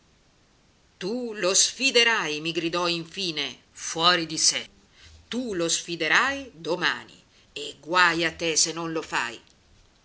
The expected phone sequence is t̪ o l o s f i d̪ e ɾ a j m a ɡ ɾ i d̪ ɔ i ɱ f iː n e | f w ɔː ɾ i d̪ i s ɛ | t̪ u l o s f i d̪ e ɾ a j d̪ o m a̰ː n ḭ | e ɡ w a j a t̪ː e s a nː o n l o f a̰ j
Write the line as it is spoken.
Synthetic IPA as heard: t̪ u l o s f i d̪ e ɾ a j m i ɡ ɾ i d̪ ɔ i ɱ f iː n e | f w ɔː ɾ i d̪ i s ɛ | t̪ u l o s f i d̪ e ɾ a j d̪ o m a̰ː n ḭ | e ɡ w a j a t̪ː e s e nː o n l o f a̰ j